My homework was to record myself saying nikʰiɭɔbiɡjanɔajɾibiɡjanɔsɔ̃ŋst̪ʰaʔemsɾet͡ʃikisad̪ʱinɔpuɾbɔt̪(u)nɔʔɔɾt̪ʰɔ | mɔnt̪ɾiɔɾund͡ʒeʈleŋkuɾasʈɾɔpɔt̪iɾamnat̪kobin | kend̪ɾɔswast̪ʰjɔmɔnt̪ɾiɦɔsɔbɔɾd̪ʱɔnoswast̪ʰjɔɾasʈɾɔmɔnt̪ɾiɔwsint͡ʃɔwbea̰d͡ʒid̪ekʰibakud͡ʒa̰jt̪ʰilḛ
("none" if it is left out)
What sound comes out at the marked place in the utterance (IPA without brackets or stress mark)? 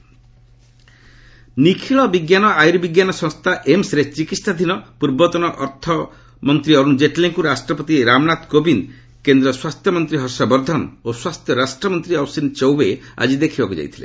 ɔ